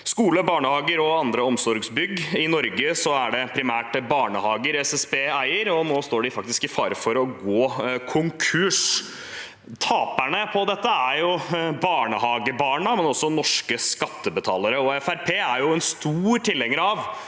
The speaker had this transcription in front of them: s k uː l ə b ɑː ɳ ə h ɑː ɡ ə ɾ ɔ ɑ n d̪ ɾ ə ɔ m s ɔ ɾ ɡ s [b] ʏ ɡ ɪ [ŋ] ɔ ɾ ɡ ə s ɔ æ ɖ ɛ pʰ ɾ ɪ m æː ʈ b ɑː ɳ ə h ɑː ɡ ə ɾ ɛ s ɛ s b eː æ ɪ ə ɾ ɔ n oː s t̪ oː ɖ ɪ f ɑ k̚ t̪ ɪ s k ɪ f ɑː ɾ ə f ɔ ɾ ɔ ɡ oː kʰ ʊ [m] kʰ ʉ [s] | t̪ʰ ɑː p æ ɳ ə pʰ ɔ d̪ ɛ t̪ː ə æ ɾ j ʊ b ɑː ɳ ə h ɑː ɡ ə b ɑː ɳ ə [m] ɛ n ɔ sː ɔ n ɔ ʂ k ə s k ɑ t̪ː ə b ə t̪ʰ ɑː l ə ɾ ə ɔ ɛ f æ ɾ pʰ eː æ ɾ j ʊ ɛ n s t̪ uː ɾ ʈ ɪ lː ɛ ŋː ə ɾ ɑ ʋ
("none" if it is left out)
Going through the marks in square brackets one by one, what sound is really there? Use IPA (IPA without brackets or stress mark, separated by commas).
b, n, ŋ, ʂ, m